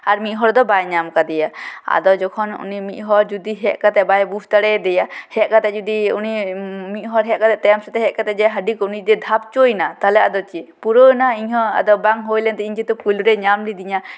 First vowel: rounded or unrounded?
unrounded